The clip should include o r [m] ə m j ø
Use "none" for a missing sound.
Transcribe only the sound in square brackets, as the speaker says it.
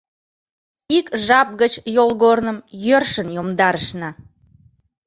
n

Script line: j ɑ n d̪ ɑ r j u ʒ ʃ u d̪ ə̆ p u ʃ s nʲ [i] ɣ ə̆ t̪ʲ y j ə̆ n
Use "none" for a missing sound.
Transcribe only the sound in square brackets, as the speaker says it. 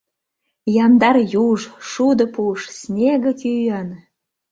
e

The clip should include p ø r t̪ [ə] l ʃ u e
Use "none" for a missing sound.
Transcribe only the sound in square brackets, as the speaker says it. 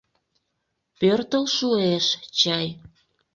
ə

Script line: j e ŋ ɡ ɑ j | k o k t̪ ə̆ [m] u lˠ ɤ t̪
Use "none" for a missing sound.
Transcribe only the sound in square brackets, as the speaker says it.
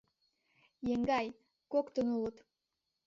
n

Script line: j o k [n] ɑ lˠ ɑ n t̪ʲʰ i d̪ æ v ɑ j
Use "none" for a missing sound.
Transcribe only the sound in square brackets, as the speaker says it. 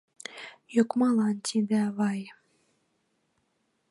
m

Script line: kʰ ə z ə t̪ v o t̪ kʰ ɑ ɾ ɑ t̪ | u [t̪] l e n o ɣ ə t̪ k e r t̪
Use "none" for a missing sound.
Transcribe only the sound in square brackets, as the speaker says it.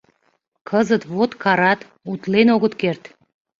t̪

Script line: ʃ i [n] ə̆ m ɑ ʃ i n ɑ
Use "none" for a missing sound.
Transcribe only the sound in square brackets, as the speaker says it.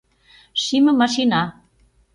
m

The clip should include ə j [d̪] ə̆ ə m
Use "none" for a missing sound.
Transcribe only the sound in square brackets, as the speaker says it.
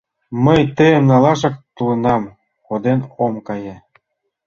t̪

